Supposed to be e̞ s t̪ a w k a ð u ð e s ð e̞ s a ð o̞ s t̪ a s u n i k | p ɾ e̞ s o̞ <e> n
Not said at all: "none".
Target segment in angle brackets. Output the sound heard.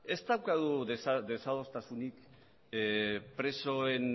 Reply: e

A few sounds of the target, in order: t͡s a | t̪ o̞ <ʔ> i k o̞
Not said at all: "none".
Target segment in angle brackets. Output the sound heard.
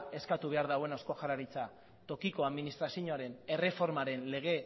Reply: k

